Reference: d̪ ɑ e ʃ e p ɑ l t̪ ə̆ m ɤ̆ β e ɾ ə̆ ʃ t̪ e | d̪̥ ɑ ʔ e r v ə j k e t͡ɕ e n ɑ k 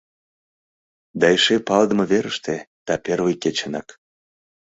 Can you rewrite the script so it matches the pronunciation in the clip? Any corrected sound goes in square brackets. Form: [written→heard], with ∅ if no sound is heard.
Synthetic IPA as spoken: d̪ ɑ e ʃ e p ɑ l [t̪→d̪] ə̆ m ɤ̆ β e ɾ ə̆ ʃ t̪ e | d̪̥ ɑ [ʔ→p] e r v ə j k e t͡ɕ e n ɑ k